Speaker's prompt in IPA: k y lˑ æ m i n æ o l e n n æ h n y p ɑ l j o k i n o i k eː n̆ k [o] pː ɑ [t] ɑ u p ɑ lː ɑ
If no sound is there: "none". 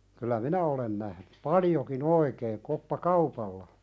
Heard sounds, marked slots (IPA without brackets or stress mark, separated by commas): o, k